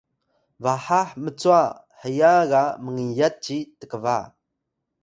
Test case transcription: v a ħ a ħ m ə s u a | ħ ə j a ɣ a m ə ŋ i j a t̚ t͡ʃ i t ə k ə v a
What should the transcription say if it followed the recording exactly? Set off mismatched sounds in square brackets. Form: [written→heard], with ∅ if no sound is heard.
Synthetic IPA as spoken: v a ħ a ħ m ə [s→t͡s] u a | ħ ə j a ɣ a m ə ŋ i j a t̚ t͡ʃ i t ə k ə v a